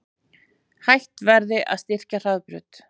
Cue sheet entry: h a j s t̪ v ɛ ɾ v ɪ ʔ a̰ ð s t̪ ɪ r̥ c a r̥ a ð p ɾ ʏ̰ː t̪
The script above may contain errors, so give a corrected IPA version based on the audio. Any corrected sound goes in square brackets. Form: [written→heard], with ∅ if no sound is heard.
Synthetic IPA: h a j [s→h] t̪ v ɛ ɾ [v→ð] ɪ ʔ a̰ ð s t̪ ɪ r̥ c a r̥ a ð p ɾ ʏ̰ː t̪

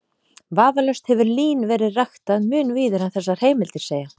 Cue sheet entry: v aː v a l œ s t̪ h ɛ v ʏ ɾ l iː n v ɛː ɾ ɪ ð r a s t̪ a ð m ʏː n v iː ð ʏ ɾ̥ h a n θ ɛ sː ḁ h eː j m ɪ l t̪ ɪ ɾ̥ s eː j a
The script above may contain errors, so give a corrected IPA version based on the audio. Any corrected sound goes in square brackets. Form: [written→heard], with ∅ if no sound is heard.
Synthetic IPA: v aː v a l œ s t̪ h ɛ v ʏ ɾ l iː n v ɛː ɾ ɪ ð r a [s→x] t̪ a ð m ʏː n v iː ð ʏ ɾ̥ h a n θ ɛ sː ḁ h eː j m ɪ l t̪ ɪ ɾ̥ s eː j a

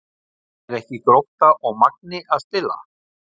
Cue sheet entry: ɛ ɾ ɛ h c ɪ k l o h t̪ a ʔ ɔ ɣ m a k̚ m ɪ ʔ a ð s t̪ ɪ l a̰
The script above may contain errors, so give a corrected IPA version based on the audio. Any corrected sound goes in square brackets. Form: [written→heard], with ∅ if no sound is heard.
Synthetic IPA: ɛ ɾ ɛ h c ɪ k [l→ɾ] o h t̪ a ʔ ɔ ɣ m a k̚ [m→n] ɪ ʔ a ð s t̪ ɪ l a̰

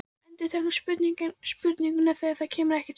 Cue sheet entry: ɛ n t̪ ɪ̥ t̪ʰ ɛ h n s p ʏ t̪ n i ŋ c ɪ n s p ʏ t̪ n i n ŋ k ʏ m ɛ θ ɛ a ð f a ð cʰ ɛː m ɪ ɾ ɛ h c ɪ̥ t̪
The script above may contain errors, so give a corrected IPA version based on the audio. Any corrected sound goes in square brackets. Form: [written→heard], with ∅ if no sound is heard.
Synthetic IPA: ɛ n t̪ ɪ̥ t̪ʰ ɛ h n s p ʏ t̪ n i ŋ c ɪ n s p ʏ t̪ n i [n→∅] ŋ k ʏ [m→n] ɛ θ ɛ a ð [f→θ] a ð cʰ ɛː m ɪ ɾ ɛ h c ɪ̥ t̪

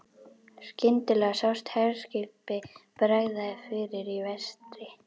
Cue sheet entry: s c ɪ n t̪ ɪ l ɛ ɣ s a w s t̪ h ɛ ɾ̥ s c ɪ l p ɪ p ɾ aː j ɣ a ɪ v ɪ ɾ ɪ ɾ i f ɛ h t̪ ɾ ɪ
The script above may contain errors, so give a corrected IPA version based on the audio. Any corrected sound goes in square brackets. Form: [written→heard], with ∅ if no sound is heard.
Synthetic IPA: s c ɪ n t̪ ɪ l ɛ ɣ s a w s t̪ h ɛ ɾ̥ s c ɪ l p ɪ p ɾ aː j [ɣ→ð] a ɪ [v→f] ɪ ɾ ɪ ɾ i [f→v] ɛ [h→s] t̪ ɾ ɪ

